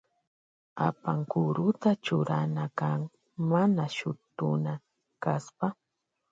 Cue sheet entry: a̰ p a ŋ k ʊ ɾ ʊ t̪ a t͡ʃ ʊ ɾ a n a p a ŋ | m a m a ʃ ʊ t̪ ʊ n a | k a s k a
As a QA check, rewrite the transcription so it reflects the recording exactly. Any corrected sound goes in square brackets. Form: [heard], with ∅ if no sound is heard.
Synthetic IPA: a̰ p a ŋ k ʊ ɾ ʊ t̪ a t͡ʃ ʊ ɾ a n a [k] a ŋ | m a [n] a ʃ ʊ t̪ ʊ n a | k a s [p] a